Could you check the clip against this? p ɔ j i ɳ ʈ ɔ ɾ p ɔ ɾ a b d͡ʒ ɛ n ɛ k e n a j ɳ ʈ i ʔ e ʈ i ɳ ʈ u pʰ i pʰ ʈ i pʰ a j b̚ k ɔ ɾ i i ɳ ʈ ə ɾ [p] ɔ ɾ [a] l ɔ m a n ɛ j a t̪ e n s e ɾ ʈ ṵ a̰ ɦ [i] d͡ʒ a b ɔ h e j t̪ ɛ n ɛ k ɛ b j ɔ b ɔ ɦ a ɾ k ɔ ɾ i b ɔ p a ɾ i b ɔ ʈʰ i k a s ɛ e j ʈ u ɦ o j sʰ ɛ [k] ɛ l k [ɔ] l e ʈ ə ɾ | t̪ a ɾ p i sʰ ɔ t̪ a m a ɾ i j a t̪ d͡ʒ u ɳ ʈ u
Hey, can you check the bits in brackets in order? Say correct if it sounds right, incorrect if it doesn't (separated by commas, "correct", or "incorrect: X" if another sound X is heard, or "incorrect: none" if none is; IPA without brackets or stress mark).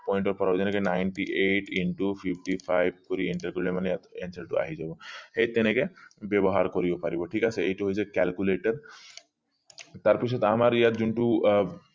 incorrect: k, incorrect: i, correct, correct, incorrect: u